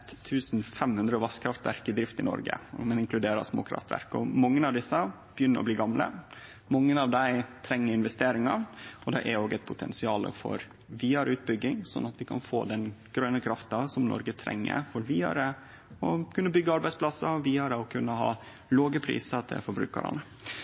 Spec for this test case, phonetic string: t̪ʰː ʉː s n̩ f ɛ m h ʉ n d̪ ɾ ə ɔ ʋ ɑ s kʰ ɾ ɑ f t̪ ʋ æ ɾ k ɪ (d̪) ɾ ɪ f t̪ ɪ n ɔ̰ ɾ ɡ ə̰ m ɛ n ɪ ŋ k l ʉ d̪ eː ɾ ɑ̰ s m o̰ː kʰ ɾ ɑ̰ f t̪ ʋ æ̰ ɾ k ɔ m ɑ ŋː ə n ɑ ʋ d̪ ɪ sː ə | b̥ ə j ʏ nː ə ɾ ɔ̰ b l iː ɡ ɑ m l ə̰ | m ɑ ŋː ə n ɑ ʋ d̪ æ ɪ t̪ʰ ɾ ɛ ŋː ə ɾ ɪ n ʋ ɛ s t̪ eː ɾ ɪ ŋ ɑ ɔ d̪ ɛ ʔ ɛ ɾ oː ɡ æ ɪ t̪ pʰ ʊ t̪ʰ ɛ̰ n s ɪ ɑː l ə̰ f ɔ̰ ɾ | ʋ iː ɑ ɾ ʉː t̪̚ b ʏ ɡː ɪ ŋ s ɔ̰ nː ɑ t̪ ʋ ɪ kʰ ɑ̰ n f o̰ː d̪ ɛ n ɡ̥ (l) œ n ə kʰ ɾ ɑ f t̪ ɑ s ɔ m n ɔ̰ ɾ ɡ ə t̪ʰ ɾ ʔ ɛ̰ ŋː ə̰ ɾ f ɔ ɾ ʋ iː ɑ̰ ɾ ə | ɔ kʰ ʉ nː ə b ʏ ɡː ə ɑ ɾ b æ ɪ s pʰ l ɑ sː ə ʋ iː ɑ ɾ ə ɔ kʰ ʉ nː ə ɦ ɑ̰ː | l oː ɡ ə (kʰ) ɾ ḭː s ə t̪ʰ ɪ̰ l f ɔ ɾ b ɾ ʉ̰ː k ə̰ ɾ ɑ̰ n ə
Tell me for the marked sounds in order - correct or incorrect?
correct, incorrect: ɾ, incorrect: pʰ

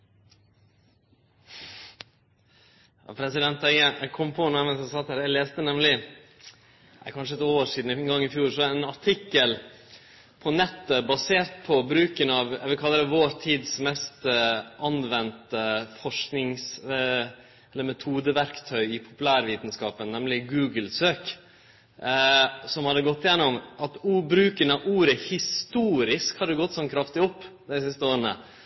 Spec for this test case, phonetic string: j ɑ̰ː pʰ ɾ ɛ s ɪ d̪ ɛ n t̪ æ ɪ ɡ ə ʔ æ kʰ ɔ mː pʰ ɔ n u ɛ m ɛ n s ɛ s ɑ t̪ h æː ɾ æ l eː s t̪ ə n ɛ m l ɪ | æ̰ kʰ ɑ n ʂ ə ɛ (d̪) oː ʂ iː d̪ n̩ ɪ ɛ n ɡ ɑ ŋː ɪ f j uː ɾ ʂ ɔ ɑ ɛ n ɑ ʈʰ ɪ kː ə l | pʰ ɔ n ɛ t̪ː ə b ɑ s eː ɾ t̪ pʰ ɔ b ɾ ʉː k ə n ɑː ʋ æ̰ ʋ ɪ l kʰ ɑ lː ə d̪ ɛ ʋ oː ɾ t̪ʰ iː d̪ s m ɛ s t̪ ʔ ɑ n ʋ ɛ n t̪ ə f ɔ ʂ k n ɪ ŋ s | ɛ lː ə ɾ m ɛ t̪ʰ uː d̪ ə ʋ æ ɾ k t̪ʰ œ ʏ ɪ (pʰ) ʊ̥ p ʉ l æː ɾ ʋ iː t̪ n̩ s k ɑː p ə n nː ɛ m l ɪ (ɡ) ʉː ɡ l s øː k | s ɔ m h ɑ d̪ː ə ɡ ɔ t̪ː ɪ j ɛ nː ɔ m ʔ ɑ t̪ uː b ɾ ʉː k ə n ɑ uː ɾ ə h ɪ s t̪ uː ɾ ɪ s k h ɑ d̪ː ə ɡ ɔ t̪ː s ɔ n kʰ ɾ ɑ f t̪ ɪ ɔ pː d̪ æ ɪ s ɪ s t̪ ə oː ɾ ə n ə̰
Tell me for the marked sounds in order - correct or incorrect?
incorrect: t̪, correct, correct

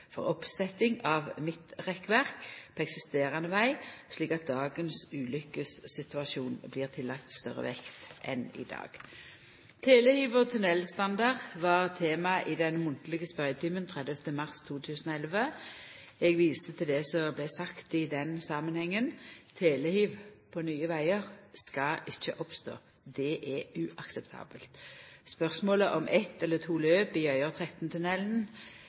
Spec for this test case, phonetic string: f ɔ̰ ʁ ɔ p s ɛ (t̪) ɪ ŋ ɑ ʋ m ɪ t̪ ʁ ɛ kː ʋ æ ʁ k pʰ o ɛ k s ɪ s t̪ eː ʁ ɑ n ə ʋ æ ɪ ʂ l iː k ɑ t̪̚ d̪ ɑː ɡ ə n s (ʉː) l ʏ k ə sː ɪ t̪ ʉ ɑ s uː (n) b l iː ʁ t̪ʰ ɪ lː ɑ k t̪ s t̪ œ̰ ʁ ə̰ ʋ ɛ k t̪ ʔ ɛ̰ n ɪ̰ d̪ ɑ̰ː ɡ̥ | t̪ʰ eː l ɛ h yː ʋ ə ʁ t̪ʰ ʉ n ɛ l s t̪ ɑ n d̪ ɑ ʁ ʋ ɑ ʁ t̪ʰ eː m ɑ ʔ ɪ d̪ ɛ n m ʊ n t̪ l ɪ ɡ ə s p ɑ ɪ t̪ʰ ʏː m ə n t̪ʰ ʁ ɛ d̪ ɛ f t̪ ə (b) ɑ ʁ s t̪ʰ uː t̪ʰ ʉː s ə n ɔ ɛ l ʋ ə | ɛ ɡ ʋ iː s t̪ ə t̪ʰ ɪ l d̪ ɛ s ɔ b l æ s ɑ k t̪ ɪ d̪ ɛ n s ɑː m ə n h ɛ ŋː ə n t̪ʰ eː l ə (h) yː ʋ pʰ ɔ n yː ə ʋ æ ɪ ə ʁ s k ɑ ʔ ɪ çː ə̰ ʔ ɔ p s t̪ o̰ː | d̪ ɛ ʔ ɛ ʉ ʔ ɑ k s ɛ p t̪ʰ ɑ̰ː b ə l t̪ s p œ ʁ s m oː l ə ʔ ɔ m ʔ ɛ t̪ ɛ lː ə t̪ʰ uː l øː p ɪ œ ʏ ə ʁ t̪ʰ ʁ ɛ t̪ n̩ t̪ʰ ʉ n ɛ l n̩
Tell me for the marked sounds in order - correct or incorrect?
correct, correct, correct, incorrect: m, correct

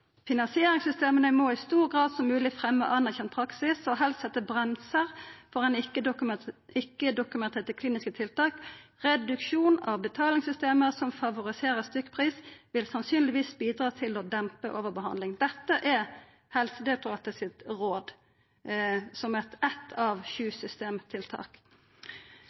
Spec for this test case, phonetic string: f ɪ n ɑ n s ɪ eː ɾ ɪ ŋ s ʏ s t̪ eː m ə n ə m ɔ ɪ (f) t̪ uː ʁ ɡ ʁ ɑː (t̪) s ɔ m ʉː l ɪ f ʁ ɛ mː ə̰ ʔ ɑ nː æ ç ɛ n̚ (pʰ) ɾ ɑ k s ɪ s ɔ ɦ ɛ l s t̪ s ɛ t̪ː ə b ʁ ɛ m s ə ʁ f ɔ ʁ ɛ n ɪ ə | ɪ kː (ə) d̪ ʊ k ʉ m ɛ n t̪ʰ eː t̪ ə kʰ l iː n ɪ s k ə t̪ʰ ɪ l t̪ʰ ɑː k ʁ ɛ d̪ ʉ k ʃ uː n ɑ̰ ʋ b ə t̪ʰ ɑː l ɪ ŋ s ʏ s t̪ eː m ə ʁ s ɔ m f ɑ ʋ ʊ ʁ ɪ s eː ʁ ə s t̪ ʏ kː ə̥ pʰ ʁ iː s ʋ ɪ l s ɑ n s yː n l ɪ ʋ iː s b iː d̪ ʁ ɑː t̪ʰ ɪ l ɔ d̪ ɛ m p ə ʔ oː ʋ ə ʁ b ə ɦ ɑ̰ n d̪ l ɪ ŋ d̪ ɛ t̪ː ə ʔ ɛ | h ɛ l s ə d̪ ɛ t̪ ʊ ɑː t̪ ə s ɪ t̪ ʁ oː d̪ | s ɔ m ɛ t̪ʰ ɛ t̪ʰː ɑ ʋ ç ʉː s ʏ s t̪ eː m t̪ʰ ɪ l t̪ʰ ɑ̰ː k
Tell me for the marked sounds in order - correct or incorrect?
incorrect: s, incorrect: d̪, correct, correct

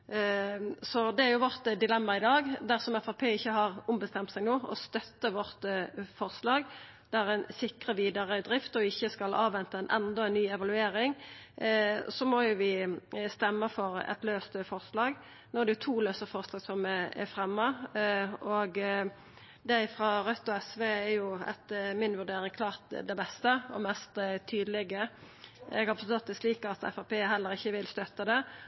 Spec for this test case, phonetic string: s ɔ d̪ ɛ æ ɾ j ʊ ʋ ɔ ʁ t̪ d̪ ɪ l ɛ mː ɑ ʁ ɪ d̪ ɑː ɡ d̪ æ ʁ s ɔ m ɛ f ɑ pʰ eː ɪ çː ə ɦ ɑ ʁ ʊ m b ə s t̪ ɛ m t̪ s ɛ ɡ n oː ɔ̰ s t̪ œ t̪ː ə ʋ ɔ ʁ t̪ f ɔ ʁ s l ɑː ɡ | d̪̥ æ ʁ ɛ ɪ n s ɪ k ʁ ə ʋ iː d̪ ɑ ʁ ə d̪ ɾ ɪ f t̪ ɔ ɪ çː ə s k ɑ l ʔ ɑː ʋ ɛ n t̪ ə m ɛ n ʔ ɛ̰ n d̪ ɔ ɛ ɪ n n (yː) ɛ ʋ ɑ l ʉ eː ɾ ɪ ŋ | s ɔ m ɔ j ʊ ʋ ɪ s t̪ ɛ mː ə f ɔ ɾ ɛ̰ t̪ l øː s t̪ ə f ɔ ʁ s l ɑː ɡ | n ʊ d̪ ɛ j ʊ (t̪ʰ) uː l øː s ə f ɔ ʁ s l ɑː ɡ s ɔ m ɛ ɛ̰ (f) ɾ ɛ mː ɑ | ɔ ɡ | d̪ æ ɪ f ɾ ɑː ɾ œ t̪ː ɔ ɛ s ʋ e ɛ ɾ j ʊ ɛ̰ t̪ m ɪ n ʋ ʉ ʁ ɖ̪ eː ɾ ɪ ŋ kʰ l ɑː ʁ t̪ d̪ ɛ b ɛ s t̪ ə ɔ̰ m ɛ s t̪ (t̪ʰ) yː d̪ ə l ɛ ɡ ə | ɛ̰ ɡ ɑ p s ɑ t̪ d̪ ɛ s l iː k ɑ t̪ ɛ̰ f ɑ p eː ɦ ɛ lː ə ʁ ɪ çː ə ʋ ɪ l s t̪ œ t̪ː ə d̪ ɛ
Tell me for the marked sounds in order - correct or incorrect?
correct, correct, correct, correct

